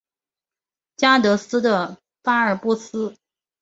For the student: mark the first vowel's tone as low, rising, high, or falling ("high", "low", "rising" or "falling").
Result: high